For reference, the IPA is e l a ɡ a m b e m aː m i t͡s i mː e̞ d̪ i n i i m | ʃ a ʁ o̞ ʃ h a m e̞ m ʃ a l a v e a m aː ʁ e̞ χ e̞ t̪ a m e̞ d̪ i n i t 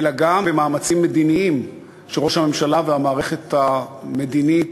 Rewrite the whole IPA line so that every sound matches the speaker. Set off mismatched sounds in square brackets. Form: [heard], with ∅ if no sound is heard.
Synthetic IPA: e l a ɡ a m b e m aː m [a] t͡s i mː e̞ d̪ i n i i m | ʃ [e] ʁ o̞ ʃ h a m e̞ m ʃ a l a v e a m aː ʁ e̞ χ e̞ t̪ a m e̞ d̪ i n i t

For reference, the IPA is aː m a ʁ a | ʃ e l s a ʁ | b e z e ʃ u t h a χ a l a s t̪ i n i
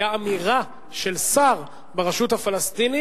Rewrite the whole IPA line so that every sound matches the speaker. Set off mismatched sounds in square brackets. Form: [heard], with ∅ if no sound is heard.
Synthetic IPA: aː m [i] ʁ a | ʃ e l s a ʁ | b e [ʁ] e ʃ u t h a [f] a l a s t̪ i n i

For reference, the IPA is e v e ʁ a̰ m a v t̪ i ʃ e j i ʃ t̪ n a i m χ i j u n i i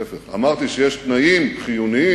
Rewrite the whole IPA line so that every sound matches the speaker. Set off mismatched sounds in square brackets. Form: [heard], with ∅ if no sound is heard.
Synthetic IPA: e [f] e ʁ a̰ m a [ʁ] t̪ i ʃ e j [e] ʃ t̪ n a i m χ i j u n i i

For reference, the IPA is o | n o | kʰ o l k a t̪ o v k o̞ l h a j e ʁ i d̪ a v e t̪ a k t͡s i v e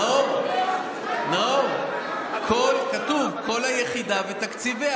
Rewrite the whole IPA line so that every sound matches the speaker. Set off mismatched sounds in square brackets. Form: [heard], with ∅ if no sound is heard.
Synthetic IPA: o | n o | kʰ o l k a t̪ [u] v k o̞ l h a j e [χ] i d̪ a v e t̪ a k t͡s i v e

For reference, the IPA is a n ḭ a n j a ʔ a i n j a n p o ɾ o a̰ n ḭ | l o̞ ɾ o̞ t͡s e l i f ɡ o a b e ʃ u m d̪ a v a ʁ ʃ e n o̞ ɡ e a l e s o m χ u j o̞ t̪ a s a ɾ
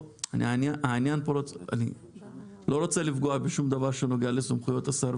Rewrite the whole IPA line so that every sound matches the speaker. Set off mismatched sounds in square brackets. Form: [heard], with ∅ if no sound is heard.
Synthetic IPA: a n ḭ a n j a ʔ a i n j a n p o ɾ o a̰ n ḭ | l o̞ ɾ o̞ t͡s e l i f ɡ o a b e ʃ u m d̪ a v a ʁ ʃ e n o̞ ɡ e a l e s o m χ u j o̞ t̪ a s a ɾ

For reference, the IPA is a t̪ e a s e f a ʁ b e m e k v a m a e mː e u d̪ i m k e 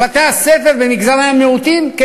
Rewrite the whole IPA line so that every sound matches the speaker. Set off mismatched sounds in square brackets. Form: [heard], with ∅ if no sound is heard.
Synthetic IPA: a t̪ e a s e f [e] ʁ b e m [i] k [z] a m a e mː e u [t̪] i m k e

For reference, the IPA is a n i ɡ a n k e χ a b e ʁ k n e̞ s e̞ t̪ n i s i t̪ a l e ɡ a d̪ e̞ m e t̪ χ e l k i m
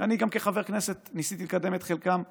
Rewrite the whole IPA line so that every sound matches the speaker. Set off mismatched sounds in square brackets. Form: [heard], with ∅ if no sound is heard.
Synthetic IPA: a n i ɡ a [m] k e χ a [v] e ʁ k n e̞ s e̞ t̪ n i s i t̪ [i] l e [k] a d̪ e̞ m e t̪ χ e l k [a] m

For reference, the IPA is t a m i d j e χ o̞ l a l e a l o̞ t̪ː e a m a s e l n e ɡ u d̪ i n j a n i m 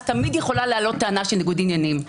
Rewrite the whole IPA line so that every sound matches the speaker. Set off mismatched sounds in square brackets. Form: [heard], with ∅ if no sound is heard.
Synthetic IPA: t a m i d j e χ o̞ l a l e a l o̞ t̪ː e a [n] a [ʃ] e l n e ɡ u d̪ i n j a n i m

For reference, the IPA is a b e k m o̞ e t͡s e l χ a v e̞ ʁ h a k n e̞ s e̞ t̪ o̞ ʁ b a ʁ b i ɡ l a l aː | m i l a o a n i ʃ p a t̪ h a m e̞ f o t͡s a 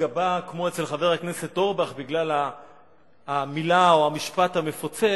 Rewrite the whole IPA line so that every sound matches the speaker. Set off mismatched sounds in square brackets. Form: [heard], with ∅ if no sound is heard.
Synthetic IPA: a b [a] k m o̞ e t͡s e l χ a v e̞ ʁ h a k n e̞ s e̞ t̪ o̞ ʁ b a [χ] b i ɡ l a l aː | m i l a o a [m] i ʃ p a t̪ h a m e̞ f o t͡s [e]

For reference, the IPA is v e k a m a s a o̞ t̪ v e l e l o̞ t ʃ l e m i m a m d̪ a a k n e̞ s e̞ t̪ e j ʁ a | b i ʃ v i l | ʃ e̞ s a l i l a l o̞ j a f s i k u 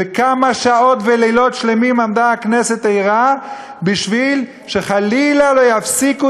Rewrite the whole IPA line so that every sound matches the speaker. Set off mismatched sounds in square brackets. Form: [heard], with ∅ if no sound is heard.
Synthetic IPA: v e k a m a [ʃ] a o̞ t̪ v e l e l o̞ t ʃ l e m i m a m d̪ a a k n e̞ s e̞ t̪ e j ʁ a | b i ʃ v i l | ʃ e̞ [χ] a l i l a l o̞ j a f s i k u

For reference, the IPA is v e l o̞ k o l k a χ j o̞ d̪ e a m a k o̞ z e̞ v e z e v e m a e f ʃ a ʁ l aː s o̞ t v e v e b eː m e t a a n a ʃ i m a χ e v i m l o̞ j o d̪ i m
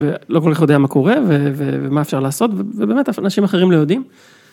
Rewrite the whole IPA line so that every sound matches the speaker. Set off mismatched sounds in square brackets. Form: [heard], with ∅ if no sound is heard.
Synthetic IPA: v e l o̞ k o l k a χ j o̞ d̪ e a m a k o̞ [ʁ] e̞ v e [v] e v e m a e f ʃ a ʁ l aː s o̞ t v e v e b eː m e t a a n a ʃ i m a χ e [ʁ] i m l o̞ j o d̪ i m

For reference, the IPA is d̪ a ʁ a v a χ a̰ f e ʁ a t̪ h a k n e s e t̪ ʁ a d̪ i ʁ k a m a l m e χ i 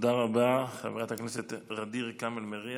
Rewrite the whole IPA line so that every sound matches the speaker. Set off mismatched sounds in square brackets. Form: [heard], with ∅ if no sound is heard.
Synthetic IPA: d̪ a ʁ a [b] a χ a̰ [v] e ʁ a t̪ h a k n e s e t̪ ʁ a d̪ i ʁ k a m [e] l m e [ʁ] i

